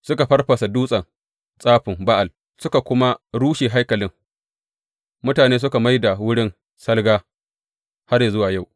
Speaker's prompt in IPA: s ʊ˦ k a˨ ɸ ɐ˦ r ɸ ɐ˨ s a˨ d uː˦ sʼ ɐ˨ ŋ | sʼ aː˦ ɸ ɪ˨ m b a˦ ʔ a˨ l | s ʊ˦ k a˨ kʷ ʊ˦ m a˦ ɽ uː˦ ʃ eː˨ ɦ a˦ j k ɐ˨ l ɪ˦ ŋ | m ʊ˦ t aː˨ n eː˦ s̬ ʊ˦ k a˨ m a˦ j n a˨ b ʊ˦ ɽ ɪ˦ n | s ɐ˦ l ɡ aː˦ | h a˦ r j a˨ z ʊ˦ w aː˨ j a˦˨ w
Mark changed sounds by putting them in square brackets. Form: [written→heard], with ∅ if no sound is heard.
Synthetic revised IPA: s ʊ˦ k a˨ ɸ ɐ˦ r ɸ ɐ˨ s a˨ d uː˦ sʼ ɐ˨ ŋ | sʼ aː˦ ɸ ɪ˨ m b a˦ ʔ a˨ l | s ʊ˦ k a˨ kʷ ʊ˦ m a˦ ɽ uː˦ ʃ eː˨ ɦ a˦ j k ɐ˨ l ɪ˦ ŋ | m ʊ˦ t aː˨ n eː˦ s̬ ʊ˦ k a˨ m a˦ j [n→d] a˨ [b→w] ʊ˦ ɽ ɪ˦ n | s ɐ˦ l ɡ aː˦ | h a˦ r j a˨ z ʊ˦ w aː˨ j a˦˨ w